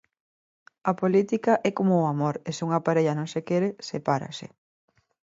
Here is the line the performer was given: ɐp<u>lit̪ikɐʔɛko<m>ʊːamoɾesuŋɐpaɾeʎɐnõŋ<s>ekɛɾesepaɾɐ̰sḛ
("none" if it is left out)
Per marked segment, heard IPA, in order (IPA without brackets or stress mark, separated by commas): o, m, s